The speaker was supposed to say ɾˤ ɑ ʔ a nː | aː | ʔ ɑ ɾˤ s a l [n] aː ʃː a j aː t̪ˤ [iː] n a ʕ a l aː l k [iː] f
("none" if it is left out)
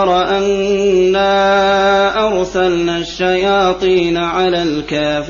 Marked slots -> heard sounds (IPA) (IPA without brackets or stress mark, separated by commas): n, iː, aː